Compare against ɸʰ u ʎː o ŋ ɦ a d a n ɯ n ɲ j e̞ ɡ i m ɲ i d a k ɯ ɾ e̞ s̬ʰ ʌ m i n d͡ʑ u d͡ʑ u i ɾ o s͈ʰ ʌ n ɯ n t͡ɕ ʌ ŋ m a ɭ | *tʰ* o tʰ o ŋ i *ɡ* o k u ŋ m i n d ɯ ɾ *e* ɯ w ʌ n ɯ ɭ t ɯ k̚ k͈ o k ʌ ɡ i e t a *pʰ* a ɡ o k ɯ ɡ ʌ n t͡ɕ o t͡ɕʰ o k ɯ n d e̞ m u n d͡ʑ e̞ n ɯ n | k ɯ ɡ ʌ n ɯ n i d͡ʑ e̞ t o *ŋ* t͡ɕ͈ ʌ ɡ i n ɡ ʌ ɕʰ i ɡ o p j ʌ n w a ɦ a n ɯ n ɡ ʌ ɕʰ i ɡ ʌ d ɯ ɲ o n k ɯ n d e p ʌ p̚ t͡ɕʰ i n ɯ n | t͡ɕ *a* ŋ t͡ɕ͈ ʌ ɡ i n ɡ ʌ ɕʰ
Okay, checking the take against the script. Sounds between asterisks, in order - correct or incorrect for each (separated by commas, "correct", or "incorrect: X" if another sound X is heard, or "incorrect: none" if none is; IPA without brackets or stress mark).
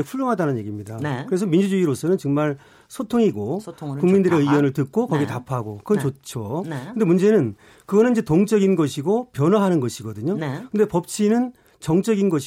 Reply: incorrect: sʰ, correct, correct, correct, correct, incorrect: ʌ